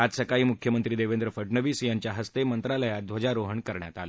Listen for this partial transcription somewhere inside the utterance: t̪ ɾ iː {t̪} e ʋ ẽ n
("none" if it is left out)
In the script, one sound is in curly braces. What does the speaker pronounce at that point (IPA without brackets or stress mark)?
d̪